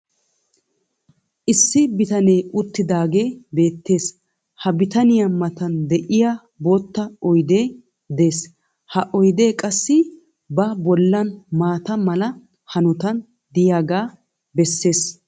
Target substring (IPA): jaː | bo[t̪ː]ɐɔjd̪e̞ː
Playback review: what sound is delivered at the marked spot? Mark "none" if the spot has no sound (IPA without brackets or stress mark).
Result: t̪ː